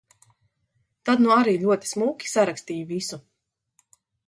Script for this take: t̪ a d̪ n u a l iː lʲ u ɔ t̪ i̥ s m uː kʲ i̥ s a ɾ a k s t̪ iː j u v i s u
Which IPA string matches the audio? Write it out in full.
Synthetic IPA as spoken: t̪ a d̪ n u a ɾ iː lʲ u ɔ t̪ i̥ s m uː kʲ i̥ s a ɾ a k s t̪ iː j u v i s u

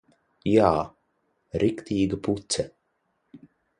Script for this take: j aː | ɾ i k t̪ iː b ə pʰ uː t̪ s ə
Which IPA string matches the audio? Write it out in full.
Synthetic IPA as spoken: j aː | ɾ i k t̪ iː ɡ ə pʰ u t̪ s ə

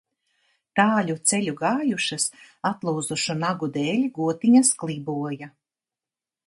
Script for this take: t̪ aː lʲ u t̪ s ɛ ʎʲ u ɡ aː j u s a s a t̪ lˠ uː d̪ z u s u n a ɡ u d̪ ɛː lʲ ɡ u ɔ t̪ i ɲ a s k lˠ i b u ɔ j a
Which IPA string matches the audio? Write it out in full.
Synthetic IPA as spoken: t̪ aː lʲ u t̪ s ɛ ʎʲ u ɡ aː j u ʃ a s a t̪ lˠ uː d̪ z u ʃ u n a ɡ u d̪ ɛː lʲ ɡ u ɔ t̪ i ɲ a s k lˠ i b u ɔ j a

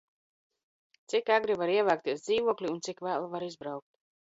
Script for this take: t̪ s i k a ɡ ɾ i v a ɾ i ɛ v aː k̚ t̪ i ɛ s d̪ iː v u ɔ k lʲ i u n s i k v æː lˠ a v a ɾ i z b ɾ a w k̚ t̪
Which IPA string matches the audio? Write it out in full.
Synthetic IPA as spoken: t̪ s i k a ɡ ɾ i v a ɾ i ɛ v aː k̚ t̪ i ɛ s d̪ iː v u ɔ k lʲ i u n s i k v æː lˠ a v a ɾ i z b ɾ a w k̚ t̪

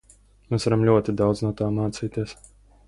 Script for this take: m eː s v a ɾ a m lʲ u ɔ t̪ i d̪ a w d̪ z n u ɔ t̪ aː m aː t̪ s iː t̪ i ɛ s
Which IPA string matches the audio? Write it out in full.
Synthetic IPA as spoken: m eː s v a ɾ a m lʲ u ɔ t̪ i d̪ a w d̪ z n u ɔ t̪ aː m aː t̪ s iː t̪ i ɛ s

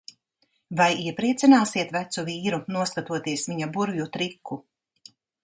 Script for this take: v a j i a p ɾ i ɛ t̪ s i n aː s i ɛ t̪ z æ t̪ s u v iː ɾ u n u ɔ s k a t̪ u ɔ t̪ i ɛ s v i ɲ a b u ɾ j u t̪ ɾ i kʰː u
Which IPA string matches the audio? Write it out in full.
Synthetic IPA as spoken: v a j i ɛ p ɾ i ɛ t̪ s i n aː s i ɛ t̪ v æ t̪ s u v iː ɾ u n u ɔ s k a t̪ u ɔ t̪ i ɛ s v i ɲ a b u ɾ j u t̪ ɾ i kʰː u

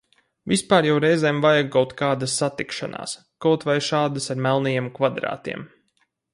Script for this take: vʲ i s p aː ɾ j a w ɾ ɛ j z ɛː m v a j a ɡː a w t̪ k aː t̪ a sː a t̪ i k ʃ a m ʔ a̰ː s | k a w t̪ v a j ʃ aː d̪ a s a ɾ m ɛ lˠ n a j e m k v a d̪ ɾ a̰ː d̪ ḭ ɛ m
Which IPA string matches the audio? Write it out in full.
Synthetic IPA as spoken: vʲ i s p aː ɾ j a w ɾ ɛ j z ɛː m v a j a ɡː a w t̪ k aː d̪ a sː a t̪ i k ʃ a n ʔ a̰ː s | k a w t̪ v a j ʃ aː d̪ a s a ɾ m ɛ lˠ n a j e m k v a d̪ ɾ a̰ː t̪ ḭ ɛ m

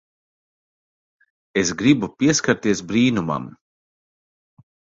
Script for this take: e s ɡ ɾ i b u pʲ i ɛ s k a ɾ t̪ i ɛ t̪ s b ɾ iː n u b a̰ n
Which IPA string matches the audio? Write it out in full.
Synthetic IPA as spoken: e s ɡ ɾ i b u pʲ i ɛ s k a ɾ t̪ i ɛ s b ɾ iː n u m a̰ m

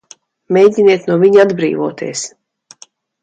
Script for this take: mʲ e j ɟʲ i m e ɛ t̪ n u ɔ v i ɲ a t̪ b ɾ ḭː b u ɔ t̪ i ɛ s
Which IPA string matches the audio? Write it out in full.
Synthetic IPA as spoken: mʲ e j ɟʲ i n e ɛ t̪ n u ɔ v i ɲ a d̪ b ɾ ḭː v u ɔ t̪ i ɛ s

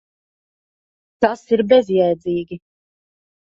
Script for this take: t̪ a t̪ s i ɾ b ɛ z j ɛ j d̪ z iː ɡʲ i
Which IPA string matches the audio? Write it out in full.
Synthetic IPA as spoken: t̪ a s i ɾ b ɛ z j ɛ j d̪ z iː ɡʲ i

